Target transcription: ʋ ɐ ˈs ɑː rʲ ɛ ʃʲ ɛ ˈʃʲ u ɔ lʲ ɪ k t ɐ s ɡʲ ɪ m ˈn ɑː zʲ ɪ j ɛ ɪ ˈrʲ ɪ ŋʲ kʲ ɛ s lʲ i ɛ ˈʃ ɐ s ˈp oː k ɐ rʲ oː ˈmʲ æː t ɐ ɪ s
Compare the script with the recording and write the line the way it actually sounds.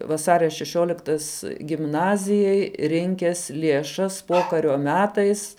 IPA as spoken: ʋ ɐ ˈs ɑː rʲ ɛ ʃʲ ɛ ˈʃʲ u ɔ lʲ ɪ k t ɐ s ɡʲ ɪ m ˈn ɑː zʲ ɪ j ɛ ɪ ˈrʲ ɪ ŋʲ kʲ ɛ s lʲ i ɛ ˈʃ ɐ s ˈp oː k ɐ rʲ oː ˈmʲ æː t ɐ ɪ s